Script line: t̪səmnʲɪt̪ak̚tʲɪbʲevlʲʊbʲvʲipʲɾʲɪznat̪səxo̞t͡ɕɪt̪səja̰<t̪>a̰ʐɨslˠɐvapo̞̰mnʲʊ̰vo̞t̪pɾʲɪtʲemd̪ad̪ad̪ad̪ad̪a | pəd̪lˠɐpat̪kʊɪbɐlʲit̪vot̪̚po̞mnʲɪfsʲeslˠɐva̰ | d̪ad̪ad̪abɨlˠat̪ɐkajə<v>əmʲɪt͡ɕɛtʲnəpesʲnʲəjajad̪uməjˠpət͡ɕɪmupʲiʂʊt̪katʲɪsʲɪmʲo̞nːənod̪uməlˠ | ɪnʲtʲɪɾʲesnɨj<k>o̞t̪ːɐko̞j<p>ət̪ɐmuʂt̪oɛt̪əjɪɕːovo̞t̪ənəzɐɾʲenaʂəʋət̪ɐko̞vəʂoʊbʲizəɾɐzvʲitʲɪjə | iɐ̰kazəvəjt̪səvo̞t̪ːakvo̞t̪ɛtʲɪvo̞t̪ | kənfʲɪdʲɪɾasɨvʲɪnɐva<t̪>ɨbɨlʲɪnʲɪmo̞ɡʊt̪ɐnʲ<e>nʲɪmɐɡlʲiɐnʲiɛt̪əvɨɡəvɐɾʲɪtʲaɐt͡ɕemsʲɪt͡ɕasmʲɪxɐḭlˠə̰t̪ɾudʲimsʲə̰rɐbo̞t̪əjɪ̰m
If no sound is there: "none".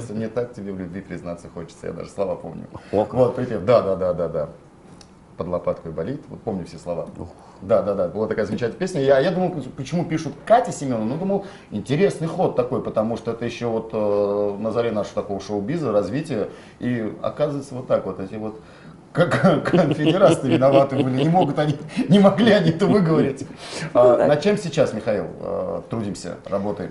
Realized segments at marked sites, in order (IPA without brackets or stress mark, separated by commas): d̪, z, x, p, t̪, i